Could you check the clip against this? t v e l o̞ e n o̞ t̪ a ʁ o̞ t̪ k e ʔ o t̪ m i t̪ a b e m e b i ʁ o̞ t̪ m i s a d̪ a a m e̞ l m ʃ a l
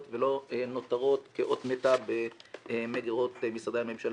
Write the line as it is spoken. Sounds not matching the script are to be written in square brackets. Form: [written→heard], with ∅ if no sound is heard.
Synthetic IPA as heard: t v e l o̞ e n o̞ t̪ a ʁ o̞ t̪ k e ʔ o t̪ m [i→e] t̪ a b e m e [b→ɡ] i ʁ o̞ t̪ m i s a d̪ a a m e̞ [l→∅] m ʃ a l

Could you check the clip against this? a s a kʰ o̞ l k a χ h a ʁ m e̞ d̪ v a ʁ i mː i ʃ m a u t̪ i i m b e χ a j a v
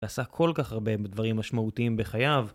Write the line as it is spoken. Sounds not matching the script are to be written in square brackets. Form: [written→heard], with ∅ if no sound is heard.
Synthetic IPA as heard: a s a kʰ o̞ l k a χ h a ʁ [m→b] e̞ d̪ v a ʁ i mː [i→a] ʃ m a u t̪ i i m b e χ a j a v

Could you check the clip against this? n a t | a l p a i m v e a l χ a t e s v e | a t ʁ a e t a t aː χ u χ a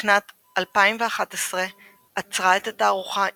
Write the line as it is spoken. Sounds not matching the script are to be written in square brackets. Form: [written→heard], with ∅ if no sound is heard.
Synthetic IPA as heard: n a t | a l p a i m v e a [l→∅] χ a t e s [v→ʁ] e | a [t→t͡s] ʁ a e t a t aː [χ→ʁ] u χ a

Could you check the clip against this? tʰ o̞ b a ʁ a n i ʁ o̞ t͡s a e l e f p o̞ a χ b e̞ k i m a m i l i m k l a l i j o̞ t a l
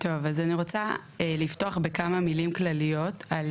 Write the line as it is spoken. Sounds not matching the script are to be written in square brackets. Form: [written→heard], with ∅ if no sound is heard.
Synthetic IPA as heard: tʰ o̞ [b→v] a [ʁ→z] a n i ʁ o̞ t͡s a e l [e→i] f [p→t] o̞ a χ b e̞ k [i→a] m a m i l i m k l a l i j o̞ t a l

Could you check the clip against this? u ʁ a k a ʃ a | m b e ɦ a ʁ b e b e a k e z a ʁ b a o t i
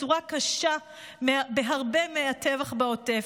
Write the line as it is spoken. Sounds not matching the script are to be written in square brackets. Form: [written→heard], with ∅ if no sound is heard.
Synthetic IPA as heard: u ʁ a k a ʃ a | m b e ɦ a ʁ b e [b→m] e a [k→t] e [z→v] a [ʁ→χ] b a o t [i→e]

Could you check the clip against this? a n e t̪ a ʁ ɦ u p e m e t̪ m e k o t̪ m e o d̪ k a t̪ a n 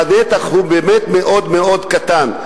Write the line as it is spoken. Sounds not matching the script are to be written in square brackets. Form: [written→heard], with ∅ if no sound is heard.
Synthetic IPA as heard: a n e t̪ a [ʁ→χ] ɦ u [p→b] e m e t̪ m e [k→ʔ] o [t̪→d̪] m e o d̪ k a t̪ a n

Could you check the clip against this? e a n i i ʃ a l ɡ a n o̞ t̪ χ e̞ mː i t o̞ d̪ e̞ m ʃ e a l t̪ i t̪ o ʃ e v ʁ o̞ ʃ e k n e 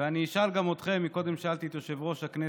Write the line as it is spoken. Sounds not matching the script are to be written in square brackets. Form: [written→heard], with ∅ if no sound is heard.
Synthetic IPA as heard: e a n i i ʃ a l ɡ a [n→m] o̞ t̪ χ e̞ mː i [t→k] o̞ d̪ e̞ m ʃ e a l t̪ i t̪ o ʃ e v ʁ o̞ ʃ [e→a] k n e

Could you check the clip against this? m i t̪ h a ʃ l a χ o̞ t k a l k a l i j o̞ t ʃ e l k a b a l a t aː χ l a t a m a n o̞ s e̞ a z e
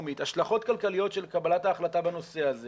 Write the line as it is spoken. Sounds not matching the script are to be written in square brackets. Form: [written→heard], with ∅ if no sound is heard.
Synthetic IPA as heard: m i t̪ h a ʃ l a χ o̞ t k a l k a l i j o̞ t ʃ e l k a b a l a t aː χ l a t a [m→b] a n o̞ s e̞ a z e

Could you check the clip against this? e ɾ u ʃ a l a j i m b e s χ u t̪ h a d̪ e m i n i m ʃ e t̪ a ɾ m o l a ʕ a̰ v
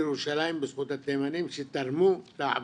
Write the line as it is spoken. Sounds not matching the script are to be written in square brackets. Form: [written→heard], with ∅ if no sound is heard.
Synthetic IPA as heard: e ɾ u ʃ a l a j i m b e s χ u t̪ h a [d̪→t̪] e m [i→a] n i m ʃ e t̪ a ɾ m [o→u] l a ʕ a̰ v

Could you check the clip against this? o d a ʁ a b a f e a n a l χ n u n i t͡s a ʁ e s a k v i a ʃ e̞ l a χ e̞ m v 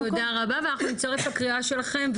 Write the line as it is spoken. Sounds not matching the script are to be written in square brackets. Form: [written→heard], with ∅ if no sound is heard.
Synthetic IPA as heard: o d a ʁ a b a [f→v] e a n a [l→∅] χ n u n i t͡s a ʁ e [s→f] a k [v→ʁ] i a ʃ e̞ l a χ e̞ m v

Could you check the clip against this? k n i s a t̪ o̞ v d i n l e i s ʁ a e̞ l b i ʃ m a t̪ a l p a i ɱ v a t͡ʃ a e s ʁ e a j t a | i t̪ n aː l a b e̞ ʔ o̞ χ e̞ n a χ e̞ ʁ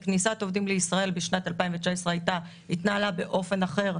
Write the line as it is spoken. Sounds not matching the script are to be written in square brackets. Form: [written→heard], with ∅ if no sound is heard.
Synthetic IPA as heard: k n i s a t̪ o̞ v d i [n→m] l e i s ʁ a e̞ l b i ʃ [m→n] a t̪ a l p a i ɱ v [a→e] t͡ʃ a e s ʁ e a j t a | i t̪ n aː l a b e̞ ʔ o̞ [χ→f] e̞ n a χ e̞ ʁ

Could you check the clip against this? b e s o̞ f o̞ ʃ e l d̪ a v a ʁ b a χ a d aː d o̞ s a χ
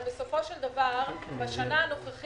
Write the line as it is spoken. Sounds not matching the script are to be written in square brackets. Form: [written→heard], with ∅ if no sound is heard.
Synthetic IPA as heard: b e s o̞ f o̞ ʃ e l d̪ a v a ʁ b a [χ→ʃ] a [d→n] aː [d→n] o̞ [s→χ] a χ

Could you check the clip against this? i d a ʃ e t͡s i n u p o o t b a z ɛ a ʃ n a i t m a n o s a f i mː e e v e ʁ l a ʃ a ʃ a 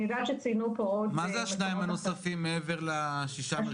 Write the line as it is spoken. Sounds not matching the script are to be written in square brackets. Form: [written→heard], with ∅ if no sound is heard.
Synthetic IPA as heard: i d a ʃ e t͡s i n u p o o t [b→m] a z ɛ a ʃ n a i [t→∅] m a n o s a f i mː e e v e ʁ l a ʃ [a→i] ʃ a

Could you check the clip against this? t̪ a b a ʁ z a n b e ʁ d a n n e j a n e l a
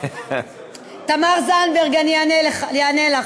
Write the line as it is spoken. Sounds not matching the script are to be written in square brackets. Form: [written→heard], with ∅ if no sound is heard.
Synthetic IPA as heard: t̪ a [b→m] a ʁ z a n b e ʁ [d→ɡ] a n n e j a n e l a

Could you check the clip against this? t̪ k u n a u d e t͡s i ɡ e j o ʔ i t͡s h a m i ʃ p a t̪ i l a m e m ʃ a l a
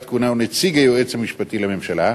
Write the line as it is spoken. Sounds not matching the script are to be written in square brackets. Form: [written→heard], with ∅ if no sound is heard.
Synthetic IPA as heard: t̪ k u n a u [d→n] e t͡s i ɡ [e→a] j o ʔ [i→e] t͡s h a m i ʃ p a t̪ i l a m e m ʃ a l a

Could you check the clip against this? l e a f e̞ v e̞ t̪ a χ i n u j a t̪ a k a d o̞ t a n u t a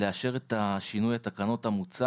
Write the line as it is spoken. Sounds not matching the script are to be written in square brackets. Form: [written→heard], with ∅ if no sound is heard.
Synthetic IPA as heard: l e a [f→ʃ] e̞ [v→ʁ] e̞ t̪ a [χ→ʃ] i n u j a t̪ a k a [d→n] o̞ t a [n→m] u [t→t͡s] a

